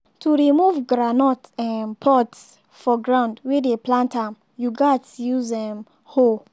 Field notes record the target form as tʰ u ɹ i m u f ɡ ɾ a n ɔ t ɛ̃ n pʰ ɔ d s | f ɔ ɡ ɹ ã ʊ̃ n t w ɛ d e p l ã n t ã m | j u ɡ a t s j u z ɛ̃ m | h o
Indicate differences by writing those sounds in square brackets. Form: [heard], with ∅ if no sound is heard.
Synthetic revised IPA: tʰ u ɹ i m u [v] ɡ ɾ a n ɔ t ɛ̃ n pʰ ɔ [t] s | f ɔ ɡ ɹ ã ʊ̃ n [d] w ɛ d e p l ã n t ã m | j u ɡ a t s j u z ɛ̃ m | h o

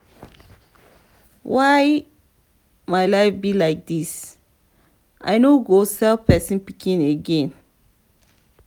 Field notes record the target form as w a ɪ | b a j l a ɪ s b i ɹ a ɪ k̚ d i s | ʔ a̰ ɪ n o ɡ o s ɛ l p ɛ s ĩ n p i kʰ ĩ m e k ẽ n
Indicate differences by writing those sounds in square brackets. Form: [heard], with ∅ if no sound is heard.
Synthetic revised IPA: w a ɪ | [m] a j l a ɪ [f] b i [l] a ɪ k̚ d i s | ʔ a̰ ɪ n o ɡ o s ɛ l p ɛ s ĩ n p i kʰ ĩ [n] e [ɡ] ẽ n

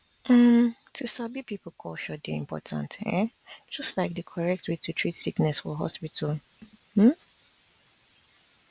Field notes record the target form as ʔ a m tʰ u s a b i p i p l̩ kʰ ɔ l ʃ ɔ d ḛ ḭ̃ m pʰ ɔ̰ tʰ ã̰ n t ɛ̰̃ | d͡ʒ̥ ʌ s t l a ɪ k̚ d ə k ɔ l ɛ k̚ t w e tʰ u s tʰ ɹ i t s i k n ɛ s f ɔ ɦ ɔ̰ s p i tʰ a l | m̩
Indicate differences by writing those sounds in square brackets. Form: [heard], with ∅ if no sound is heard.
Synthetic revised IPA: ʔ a m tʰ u s a b i p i p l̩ kʰ ɔ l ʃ ɔ d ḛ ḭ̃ m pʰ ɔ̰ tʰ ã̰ n t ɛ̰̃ | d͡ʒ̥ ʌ s t l a ɪ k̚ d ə [kʰ] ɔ [ɹ] ɛ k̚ t w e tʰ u [∅] tʰ ɹ i t s i k n ɛ s f ɔ ɦ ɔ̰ s p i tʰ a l | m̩

